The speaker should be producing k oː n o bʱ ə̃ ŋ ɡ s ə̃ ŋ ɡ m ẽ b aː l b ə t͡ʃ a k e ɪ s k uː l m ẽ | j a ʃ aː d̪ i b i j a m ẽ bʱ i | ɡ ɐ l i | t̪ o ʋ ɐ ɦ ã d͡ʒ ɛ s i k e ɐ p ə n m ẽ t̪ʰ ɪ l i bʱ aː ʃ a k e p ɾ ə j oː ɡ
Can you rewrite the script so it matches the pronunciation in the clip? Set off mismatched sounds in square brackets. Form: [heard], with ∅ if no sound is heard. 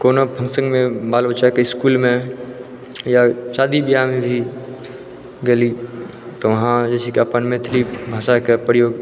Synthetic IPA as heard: k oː n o bʱ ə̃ ŋ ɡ s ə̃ ŋ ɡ m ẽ b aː l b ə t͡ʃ a k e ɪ s k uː l m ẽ | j a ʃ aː d̪ i b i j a m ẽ bʱ i | ɡ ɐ l i | t̪ o ʋ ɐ ɦ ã d͡ʒ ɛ s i k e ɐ p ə n m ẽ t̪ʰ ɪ l i bʱ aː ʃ a k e p ɾ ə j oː ɡ